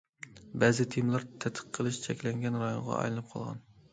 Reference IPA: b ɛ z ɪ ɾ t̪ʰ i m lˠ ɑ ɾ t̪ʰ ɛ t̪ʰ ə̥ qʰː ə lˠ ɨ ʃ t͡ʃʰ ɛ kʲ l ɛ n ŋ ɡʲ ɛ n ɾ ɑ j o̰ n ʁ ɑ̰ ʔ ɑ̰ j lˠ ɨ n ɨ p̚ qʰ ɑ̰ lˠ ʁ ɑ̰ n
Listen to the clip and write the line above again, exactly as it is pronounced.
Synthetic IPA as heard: b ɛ z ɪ t̪ʰ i m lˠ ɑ ɾ t̪ʰ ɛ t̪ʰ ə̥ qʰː ə lˠ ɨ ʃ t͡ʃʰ ɛ kʲ l ɛ ŋ ɡʲ ɛ n ɾ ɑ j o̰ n ʁ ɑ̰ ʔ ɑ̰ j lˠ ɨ n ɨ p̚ qʰ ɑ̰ lˠ ʁ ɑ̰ n